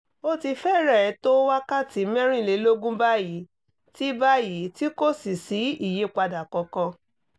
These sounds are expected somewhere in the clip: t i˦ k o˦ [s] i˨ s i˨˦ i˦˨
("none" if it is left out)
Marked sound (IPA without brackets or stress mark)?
s